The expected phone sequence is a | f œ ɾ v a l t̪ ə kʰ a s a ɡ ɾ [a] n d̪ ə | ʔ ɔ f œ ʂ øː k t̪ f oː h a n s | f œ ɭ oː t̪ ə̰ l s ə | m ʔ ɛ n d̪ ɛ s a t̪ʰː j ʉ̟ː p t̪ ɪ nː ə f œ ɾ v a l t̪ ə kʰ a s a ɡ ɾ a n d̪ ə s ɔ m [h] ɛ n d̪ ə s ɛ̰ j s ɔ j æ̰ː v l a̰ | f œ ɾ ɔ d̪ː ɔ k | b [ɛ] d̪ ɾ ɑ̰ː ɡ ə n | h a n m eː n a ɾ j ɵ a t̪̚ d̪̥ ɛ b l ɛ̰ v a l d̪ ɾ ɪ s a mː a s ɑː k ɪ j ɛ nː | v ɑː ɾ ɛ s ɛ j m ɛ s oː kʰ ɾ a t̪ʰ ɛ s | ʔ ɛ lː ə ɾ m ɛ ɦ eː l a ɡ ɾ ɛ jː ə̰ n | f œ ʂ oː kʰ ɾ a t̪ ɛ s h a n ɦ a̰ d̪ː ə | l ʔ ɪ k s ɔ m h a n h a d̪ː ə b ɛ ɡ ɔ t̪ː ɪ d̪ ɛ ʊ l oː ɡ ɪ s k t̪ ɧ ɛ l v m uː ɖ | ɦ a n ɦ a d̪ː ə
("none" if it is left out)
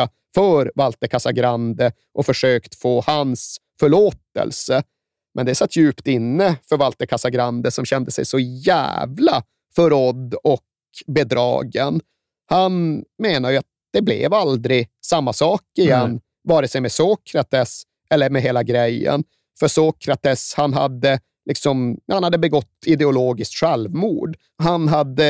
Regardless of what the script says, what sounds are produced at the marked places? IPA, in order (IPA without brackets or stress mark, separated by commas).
a, ɕ, ɛ